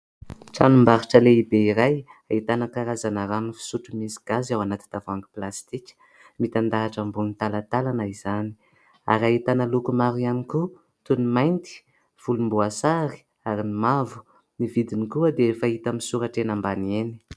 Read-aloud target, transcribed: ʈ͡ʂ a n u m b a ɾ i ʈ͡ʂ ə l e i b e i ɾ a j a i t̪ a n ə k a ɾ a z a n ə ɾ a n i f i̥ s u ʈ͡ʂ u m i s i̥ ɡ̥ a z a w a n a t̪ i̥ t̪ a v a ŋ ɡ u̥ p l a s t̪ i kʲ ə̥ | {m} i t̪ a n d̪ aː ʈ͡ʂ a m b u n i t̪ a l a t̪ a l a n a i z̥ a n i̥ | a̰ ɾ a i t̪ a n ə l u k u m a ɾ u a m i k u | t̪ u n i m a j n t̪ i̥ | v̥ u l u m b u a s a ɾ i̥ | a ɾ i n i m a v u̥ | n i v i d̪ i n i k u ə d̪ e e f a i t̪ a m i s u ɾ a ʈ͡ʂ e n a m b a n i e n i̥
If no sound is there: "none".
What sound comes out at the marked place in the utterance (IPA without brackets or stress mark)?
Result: m